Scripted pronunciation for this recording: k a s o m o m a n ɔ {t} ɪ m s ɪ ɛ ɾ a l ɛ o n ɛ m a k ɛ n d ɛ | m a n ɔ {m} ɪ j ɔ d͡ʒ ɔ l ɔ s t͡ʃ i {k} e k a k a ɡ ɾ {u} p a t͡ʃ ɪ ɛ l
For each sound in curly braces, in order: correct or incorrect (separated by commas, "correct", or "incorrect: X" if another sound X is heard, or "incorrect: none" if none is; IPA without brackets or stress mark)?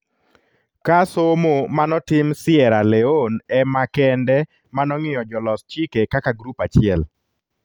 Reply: correct, incorrect: ŋ, correct, correct